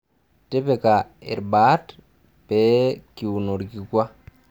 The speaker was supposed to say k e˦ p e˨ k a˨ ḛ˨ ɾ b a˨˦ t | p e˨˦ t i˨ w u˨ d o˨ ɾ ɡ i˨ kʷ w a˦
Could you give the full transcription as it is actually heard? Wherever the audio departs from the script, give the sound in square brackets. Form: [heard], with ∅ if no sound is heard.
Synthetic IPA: [t] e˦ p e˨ k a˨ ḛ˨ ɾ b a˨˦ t | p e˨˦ [k] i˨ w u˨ [n] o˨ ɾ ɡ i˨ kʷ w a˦